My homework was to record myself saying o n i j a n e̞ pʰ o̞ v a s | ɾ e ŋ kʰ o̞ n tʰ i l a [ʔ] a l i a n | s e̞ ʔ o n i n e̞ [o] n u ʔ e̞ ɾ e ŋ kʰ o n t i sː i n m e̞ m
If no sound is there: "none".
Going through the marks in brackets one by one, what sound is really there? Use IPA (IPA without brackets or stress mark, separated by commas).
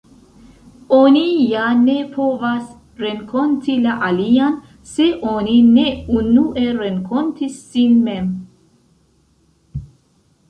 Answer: ʔ, u